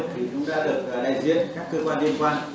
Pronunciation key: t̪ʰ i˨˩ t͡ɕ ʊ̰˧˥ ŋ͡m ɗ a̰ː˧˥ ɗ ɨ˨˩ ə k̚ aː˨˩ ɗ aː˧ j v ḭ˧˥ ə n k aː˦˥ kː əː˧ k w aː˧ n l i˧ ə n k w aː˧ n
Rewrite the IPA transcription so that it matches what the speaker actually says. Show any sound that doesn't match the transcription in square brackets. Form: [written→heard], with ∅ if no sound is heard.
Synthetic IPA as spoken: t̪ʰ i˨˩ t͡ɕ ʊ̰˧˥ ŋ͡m ɗ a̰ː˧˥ ɗ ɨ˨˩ ə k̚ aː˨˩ ɗ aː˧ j [v→z] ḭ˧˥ ə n k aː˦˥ kː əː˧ k w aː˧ n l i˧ ə n k w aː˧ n